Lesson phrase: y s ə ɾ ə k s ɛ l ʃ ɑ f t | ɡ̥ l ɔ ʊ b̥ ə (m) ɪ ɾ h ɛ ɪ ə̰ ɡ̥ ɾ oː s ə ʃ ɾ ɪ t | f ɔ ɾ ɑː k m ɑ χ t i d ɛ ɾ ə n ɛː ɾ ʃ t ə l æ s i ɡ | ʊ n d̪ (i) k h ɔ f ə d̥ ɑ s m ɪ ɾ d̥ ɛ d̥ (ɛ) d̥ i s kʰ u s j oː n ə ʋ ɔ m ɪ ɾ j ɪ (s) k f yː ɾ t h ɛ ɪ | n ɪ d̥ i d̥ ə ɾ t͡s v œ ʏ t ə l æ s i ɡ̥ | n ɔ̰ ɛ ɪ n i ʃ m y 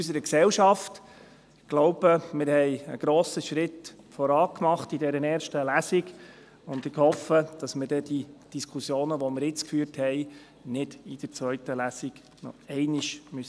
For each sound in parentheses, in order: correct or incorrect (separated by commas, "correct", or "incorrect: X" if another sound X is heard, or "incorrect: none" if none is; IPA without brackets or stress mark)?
correct, incorrect: ɪ, incorrect: i, incorrect: t͡s